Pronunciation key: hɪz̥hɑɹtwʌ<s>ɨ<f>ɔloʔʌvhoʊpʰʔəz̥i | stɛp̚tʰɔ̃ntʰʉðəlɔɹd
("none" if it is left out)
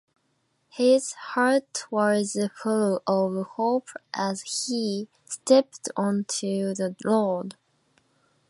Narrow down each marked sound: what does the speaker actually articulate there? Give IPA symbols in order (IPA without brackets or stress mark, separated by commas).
z, f